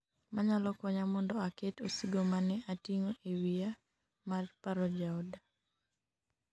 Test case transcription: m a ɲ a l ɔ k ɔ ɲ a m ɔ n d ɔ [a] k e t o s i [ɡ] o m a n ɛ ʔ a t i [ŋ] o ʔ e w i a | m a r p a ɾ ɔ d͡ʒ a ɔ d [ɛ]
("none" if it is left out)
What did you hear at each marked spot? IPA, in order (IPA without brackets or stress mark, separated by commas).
a, ɡ, ŋ, a